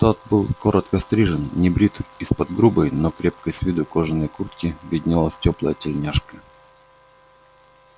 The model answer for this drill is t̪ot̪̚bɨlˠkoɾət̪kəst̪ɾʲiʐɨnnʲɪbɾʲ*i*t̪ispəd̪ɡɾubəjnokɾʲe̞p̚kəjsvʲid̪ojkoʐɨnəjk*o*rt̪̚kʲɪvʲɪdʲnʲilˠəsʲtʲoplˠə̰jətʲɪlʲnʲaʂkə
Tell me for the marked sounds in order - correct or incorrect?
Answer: correct, incorrect

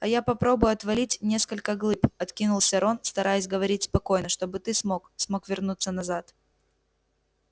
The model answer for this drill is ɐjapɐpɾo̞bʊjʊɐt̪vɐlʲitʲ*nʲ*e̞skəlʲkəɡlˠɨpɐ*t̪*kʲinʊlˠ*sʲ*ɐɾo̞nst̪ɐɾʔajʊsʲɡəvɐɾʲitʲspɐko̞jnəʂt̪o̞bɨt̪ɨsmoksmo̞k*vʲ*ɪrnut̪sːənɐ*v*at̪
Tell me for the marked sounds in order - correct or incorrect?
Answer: correct, correct, correct, correct, incorrect

